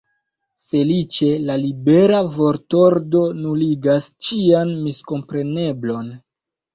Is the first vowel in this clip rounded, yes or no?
no